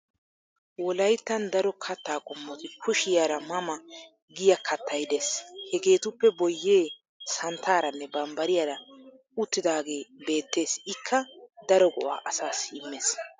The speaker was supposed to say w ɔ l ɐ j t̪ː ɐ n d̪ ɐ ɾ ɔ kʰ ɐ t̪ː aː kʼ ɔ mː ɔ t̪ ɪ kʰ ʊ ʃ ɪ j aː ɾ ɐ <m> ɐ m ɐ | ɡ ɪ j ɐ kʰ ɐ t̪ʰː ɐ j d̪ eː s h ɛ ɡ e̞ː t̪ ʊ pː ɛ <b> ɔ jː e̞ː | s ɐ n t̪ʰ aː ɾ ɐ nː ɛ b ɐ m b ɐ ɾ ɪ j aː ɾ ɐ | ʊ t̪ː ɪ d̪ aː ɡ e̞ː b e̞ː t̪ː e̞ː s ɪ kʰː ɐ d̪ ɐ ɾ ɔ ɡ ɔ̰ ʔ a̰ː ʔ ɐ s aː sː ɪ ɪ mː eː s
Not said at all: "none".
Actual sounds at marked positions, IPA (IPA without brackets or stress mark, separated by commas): m, b